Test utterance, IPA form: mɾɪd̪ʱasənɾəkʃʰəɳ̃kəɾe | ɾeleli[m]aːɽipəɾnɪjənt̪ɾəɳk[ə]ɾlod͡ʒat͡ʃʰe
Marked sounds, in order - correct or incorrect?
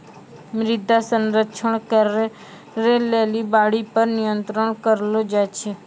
incorrect: b, correct

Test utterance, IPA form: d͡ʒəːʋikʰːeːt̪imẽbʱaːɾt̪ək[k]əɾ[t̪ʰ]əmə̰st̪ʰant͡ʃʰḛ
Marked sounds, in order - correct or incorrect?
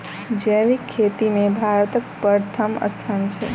incorrect: p, correct

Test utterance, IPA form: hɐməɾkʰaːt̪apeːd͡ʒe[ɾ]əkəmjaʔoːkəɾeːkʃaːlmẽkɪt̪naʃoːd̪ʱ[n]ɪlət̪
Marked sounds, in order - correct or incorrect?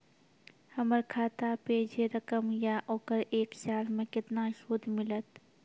correct, incorrect: m

